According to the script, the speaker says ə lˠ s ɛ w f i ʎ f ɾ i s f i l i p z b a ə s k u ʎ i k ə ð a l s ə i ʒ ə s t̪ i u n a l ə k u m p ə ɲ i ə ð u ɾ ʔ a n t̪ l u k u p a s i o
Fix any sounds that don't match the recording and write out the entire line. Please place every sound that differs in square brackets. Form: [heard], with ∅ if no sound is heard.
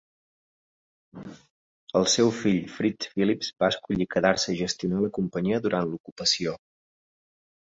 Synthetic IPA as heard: ə lˠ s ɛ w f i ʎ f ɾ i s f i l i p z b a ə s k u ʎ i k ə ð a [ɾ] s ə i ʒ ə s t̪ i u n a l ə k u m p ə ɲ i ə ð u ɾ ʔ a n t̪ l u k u p [ə] s i o